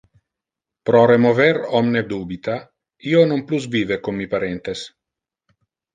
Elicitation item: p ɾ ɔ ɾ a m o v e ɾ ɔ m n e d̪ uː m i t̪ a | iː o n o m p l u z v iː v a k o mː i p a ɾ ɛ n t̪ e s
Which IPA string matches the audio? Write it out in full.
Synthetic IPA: p ɾ ɔ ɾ e m o v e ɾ ɔ m n e d̪ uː b i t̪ a | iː o n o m p l u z v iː v e k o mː i p a ɾ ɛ n t̪ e s